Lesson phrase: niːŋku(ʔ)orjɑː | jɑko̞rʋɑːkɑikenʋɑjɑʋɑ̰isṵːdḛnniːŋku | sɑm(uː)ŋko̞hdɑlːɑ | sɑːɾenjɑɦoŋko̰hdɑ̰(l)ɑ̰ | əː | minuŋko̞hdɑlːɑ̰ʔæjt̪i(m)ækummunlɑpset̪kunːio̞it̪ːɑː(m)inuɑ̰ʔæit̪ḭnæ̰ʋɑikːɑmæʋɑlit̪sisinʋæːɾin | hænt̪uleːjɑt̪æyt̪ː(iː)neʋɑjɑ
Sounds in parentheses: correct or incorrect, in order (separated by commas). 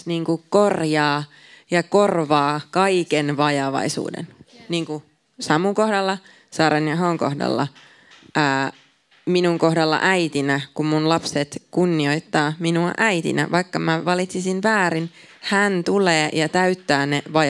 incorrect, incorrect, incorrect, incorrect, correct, incorrect